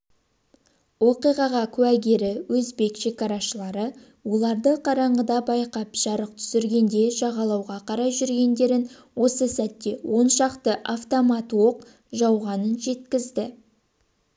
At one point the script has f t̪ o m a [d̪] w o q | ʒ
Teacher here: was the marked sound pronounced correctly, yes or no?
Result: no